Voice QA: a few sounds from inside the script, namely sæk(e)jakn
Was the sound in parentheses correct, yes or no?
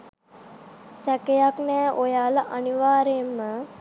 yes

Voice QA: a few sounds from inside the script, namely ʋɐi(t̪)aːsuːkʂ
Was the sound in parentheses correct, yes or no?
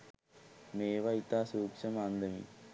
yes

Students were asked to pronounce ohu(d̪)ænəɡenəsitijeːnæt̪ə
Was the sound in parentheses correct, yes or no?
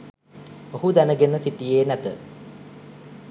yes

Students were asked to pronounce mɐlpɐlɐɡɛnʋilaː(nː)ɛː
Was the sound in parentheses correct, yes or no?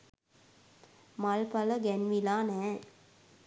no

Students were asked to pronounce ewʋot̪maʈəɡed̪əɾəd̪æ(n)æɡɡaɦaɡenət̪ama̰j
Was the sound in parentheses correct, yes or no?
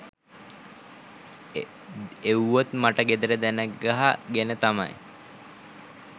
yes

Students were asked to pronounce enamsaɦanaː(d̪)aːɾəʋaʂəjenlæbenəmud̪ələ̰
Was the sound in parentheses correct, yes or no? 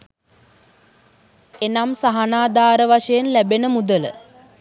yes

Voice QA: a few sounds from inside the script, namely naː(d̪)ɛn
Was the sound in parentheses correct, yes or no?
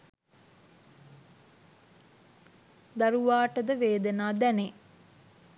yes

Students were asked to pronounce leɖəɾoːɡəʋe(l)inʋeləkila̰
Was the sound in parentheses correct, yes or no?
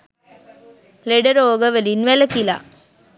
yes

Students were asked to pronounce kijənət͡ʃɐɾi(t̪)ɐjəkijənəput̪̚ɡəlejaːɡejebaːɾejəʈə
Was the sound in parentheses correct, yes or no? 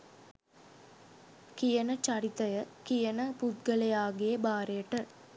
yes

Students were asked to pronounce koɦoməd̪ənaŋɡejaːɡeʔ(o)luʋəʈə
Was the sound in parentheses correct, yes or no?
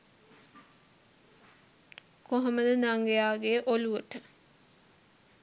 yes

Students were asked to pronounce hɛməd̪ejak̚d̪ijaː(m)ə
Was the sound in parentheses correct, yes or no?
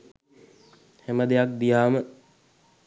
yes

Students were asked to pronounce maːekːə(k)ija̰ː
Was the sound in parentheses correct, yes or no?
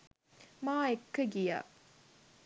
no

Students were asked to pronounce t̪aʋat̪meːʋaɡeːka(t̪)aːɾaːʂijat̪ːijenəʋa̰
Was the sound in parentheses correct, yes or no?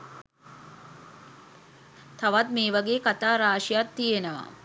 yes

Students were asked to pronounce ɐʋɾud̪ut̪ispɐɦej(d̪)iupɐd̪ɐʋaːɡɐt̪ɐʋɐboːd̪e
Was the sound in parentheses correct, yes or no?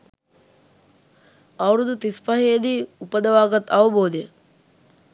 yes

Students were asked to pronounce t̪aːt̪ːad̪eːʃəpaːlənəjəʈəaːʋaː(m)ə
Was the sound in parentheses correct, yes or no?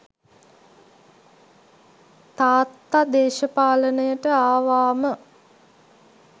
yes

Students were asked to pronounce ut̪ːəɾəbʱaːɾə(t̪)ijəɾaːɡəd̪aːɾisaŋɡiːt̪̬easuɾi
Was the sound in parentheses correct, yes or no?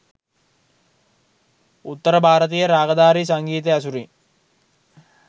yes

